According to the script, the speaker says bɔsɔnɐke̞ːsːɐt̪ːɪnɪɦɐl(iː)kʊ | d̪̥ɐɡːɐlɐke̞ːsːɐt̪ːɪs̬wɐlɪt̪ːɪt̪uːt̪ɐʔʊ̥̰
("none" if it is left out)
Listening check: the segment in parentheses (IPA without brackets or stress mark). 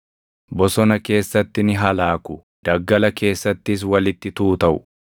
aː